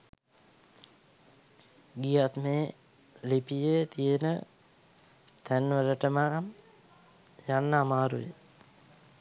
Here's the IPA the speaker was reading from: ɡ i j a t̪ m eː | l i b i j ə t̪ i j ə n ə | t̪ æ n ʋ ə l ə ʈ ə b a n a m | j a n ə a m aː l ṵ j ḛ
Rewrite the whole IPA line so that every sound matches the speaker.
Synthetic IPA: ɡ i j a t̪ m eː | l i p i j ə t̪ i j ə n ə | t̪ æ n ʋ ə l ə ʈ ə m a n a m | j a nː ə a m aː ɾ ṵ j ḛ